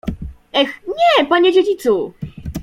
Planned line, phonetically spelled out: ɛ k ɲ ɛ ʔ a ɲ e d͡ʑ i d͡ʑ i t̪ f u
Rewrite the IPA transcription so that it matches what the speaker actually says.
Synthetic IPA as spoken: ɛ x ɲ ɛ p a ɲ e d͡ʑ e d͡ʑ i t̪ s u